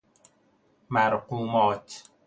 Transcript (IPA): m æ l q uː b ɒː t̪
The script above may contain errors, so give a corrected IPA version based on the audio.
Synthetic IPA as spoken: m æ ɾ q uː m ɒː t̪